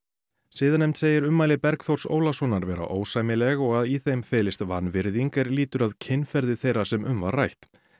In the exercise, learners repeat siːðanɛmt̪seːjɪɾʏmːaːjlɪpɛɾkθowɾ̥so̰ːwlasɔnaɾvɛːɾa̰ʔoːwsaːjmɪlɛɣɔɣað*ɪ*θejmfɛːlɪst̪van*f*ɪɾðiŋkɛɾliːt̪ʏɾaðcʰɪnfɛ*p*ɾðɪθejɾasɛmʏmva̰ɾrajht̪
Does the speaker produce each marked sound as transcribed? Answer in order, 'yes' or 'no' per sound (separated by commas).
no, no, no